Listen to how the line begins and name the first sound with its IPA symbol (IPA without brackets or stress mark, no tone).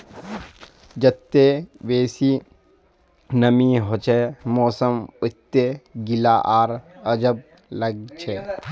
d͡ʒ